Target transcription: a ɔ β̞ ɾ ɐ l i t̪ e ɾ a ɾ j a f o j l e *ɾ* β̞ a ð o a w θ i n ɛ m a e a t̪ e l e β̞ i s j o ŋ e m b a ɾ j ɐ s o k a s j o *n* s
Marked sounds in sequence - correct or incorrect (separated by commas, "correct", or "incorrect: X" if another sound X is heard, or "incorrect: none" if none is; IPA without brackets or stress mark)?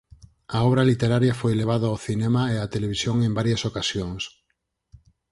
incorrect: none, incorrect: ŋ